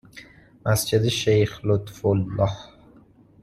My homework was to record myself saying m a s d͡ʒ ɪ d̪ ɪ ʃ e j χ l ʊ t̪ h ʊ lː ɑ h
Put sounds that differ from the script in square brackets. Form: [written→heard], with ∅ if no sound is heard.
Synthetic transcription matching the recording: m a s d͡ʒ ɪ d̪ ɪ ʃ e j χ l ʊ t̪ [h→f] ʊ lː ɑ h